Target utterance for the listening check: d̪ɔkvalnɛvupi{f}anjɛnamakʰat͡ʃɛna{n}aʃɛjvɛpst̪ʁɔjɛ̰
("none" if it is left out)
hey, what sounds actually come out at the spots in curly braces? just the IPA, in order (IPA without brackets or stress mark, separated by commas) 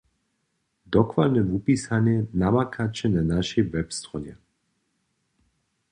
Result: s, n